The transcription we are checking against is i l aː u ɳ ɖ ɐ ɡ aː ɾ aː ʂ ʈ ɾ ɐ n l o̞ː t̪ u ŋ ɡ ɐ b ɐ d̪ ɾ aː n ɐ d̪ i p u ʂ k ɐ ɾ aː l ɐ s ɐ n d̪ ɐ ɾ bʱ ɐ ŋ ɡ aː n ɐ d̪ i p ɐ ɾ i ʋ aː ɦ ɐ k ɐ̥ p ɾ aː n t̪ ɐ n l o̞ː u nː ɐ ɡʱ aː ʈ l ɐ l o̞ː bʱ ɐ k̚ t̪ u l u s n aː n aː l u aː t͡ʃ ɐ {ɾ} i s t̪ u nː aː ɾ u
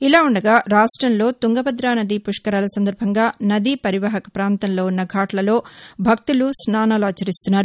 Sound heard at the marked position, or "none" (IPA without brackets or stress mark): ɾ